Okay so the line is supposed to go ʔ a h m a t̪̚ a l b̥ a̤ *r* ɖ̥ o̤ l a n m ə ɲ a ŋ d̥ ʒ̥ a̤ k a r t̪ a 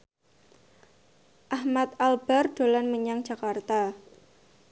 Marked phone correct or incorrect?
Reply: correct